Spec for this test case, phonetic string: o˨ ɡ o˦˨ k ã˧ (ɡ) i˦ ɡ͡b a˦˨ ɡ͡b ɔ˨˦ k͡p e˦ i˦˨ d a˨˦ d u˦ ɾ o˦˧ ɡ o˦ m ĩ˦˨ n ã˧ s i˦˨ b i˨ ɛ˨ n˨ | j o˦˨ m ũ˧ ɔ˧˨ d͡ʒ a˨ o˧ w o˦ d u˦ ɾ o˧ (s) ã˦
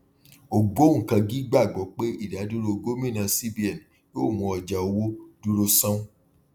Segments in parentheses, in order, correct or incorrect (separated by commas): correct, correct